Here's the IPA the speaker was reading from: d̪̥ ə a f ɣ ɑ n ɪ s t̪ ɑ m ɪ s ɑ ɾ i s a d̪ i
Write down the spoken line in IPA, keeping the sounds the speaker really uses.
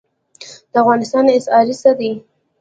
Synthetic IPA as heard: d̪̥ ə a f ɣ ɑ n ɪ s t̪ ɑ n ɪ s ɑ ɾ i s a d̪ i